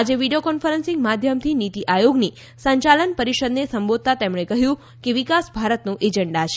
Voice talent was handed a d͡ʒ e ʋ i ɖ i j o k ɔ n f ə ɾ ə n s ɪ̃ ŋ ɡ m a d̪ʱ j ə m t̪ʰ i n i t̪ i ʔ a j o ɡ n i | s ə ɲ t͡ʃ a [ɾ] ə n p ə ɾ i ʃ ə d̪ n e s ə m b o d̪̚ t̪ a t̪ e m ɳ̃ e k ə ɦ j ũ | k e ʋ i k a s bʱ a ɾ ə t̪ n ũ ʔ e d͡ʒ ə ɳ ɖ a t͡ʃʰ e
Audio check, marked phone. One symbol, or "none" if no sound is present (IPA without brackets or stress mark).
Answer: l